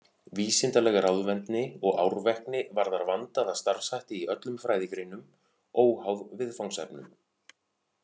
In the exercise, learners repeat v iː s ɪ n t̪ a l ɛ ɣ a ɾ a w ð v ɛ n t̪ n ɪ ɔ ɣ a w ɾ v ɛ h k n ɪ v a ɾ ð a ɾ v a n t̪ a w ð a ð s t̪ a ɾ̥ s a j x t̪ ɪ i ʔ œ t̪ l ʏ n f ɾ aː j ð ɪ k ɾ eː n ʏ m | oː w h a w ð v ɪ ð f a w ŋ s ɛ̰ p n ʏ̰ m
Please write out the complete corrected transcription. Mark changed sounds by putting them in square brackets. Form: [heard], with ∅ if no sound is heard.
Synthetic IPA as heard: v iː s ɪ n t̪ a l ɛ ɣ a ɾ a w ð v ɛ n t̪ n ɪ ɔ ɣ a w ɾ v ɛ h k n ɪ v a ɾ ð a ɾ v a n t̪ a [∅] ð a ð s t̪ a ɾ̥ s a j [h] t̪ ɪ i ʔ œ t̪ l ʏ [m] f ɾ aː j ð ɪ k ɾ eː n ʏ m | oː w h a w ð v ɪ ð f a w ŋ s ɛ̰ p n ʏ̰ m